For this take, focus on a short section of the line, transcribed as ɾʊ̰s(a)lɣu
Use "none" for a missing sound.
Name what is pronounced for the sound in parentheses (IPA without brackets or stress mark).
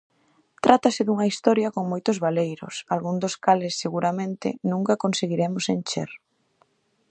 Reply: a